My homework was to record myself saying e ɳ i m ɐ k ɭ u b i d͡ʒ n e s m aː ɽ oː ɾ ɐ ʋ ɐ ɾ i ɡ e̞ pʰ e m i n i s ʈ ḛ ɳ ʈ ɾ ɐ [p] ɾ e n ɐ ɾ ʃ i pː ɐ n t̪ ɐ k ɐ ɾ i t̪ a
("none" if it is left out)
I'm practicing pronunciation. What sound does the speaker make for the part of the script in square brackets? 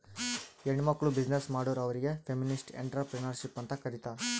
p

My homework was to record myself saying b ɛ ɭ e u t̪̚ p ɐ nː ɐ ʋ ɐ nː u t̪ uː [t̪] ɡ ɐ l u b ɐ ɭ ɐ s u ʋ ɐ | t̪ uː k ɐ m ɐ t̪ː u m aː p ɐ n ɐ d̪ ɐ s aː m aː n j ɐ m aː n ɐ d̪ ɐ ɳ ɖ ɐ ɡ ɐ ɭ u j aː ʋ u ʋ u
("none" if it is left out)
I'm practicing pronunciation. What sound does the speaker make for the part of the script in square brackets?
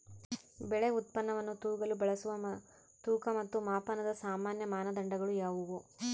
none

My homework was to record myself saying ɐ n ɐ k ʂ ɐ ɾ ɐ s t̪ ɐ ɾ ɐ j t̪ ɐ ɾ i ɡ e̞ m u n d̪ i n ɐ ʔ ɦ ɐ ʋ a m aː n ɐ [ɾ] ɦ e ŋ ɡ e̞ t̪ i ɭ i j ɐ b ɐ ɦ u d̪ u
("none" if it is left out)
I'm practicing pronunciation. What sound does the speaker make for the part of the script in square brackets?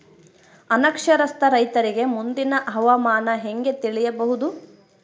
none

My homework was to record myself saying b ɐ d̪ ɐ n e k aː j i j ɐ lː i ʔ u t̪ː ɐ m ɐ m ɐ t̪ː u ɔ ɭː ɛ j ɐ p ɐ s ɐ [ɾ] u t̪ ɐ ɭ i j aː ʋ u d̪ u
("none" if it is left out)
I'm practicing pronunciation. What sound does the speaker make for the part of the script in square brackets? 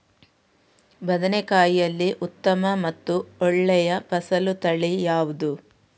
l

